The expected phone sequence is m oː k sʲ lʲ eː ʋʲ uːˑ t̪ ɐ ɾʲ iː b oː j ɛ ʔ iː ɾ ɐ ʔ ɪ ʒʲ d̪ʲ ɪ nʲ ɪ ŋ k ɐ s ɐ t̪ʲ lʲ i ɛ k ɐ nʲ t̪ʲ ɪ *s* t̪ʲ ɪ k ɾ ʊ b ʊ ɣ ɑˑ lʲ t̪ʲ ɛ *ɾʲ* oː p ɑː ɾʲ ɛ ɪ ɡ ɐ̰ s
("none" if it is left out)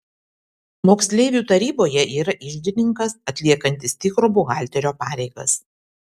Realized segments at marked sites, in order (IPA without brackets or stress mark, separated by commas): s, ɾʲ